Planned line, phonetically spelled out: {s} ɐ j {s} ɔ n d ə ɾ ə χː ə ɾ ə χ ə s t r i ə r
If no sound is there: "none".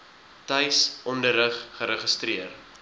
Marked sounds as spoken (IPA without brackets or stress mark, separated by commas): t, s